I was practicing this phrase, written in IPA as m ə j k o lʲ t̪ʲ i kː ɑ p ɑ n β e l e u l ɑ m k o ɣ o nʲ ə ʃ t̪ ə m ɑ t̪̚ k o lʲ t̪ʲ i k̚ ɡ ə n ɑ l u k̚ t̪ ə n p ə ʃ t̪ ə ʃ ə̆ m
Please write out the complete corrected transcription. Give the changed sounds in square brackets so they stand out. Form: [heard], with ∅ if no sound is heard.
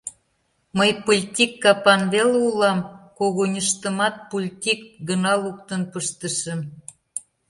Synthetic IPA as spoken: m ə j [p] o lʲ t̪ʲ i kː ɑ p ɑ n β e l e u l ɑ m k o ɣ o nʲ ə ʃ t̪ ə m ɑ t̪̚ [p] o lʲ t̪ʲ i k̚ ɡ ə n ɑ l u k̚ t̪ ə n p ə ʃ t̪ ə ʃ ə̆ m